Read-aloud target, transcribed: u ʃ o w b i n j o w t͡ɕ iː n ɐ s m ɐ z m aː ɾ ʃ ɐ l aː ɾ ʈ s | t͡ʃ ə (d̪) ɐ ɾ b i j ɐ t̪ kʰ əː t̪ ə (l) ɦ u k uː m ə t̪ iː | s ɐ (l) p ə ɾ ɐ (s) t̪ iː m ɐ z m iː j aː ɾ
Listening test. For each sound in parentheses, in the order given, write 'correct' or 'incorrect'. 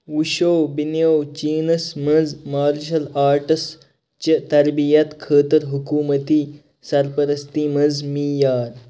incorrect: t̪, incorrect: ɾ, incorrect: ɾ, correct

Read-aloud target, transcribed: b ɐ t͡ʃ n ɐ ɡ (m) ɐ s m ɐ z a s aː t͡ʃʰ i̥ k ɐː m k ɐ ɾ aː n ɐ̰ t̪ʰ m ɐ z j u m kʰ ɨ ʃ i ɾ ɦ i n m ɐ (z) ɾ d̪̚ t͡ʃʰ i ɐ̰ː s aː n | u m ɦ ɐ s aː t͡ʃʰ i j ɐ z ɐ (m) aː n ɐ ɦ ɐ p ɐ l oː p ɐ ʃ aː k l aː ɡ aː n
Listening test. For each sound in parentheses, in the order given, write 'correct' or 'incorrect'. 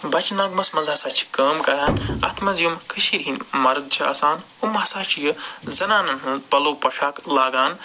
correct, incorrect: none, incorrect: n

